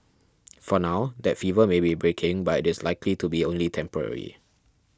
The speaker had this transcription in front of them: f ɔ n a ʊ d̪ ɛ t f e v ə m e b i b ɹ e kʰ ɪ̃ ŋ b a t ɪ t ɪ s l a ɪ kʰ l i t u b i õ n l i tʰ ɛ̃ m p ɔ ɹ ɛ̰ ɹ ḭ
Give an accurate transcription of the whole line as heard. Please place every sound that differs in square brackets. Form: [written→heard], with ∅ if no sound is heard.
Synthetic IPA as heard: f ɔ n a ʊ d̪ ɛ t f [e→i] v ə m e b i b ɹ e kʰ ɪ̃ ŋ b a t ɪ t ɪ s l a ɪ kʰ l i t u b i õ n l i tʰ ɛ̃ m p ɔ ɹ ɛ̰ ɹ ḭ